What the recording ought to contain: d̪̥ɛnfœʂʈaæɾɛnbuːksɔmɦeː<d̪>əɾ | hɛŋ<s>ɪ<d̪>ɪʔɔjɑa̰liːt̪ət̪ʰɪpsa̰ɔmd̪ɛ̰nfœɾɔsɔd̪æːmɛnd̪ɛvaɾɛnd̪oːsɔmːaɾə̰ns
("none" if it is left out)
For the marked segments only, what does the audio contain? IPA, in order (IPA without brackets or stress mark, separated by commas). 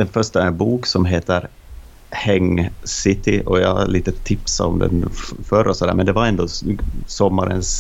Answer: t̪, s, t̪